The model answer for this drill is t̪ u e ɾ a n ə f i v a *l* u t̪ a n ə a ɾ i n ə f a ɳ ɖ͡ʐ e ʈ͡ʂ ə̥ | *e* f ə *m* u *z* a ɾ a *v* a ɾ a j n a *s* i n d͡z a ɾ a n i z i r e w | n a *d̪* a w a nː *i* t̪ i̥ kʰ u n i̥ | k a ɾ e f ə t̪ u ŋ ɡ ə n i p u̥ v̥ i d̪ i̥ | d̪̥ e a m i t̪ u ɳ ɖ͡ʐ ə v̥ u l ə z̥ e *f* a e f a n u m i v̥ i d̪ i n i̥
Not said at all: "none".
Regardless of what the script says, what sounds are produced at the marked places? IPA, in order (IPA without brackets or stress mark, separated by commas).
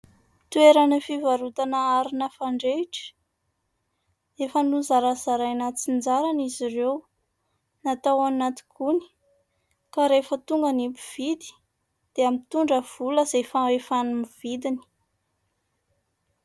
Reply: ɾ, e, n, z, z, t͡s, t̪, a, f